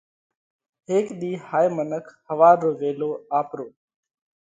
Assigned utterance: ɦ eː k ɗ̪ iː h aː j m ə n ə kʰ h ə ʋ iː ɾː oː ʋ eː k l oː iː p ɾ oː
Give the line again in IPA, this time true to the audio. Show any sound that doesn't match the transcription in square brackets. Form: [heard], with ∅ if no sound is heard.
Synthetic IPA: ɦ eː k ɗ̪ iː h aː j m ə n ə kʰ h ə ʋ [aː] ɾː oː ʋ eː [∅] l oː [aː] p ɾ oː

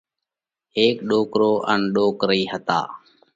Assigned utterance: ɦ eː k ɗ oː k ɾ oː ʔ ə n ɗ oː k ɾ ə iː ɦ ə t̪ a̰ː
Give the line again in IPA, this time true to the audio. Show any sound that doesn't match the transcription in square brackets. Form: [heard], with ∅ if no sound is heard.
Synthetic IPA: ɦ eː k ɗ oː k ɾ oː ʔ ə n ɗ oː k ɾ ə iː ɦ ə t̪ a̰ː

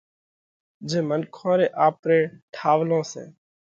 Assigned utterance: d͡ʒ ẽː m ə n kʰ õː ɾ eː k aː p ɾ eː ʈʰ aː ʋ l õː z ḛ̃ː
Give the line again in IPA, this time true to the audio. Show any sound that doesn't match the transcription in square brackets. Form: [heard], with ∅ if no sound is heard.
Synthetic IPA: d͡ʒ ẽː m ə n kʰ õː ɾ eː [ʔ] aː p ɾ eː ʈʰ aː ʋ l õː [s] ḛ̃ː

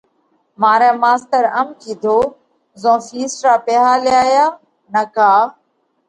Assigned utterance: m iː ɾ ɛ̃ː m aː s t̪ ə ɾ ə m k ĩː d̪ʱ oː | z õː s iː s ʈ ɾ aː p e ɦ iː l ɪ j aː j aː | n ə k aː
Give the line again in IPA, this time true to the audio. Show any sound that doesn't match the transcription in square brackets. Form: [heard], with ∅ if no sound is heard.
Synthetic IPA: m [aː] ɾ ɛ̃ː m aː s t̪ ə ɾ ə m k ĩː d̪ʱ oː | z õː [f] iː s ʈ ɾ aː p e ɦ [aː] l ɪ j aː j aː | n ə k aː

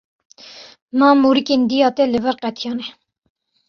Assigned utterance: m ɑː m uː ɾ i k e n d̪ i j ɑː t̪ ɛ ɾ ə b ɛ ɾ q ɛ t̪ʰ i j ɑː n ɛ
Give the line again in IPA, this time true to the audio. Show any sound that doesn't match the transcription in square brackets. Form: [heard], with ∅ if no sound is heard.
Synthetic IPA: m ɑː m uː ɾ i k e n d̪ i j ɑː t̪ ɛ [l] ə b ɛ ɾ q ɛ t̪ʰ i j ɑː n ɛ

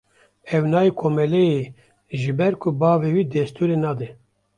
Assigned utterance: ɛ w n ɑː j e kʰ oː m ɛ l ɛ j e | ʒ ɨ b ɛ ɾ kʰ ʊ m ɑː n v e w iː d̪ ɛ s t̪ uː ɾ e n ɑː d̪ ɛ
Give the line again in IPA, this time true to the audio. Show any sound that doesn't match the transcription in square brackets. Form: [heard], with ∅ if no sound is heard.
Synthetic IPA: ɛ w n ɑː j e kʰ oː m ɛ l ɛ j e | ʒ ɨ b ɛ ɾ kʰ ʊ [b] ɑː [∅] v e w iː d̪ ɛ s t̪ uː ɾ e n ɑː d̪ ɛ

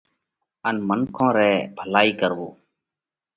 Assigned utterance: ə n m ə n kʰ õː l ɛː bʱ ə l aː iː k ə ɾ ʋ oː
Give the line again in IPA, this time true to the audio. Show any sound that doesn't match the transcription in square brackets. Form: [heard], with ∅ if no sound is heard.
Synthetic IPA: ə n m ə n kʰ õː [ɾ] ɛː bʱ ə l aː iː k ə ɾ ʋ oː

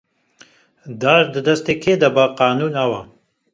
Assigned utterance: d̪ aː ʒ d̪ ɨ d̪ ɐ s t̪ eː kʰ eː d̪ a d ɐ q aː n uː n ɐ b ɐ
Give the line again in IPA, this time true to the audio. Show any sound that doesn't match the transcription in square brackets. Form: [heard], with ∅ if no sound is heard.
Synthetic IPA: d̪ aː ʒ d̪ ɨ d̪ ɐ s t̪ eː kʰ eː d̪ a [b] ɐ q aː n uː n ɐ [w] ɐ

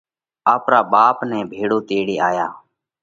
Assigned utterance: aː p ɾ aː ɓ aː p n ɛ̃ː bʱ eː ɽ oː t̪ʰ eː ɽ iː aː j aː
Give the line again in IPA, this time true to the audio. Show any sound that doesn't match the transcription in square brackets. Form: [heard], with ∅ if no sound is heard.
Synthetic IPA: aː p ɾ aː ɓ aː p n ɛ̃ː bʱ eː ɽ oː [t̪] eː ɽ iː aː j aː

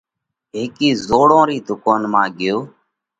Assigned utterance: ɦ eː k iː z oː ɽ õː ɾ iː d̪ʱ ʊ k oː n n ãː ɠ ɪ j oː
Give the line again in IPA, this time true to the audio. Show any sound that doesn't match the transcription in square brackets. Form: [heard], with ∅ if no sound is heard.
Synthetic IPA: ɦ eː k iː z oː ɽ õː ɾ iː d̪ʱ ʊ k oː n [m] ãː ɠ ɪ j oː

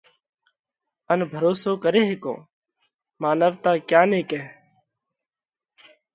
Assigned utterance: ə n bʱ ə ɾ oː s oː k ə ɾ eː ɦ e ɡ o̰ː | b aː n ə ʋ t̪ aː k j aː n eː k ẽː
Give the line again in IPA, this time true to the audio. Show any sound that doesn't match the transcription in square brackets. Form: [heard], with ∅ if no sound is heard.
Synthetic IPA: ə n bʱ ə ɾ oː s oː k ə ɾ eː ɦ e [k] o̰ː | [m] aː n ə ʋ t̪ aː k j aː n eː k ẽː

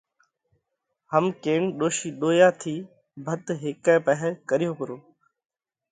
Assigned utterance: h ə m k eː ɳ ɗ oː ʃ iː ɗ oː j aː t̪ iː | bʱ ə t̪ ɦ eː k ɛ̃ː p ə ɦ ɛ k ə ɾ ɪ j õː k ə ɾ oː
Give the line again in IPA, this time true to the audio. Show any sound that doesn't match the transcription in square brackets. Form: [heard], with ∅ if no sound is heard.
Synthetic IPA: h ə m k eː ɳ ɗ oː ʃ iː ɗ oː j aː [t̪ʰ] iː | bʱ ə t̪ ɦ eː k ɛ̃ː p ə ɦ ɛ k ə ɾ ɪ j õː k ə ɾ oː

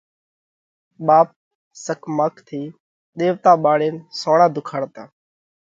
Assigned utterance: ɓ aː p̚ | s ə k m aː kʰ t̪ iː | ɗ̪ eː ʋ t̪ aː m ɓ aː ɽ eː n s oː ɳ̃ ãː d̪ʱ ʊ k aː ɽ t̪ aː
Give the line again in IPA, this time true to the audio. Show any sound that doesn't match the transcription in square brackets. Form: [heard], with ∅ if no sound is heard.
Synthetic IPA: ɓ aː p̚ | s ə k m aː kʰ [t̪ʰ] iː | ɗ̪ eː ʋ t̪ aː [∅] ɓ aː ɽ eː n s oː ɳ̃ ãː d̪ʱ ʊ [kʰ] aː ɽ t̪ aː

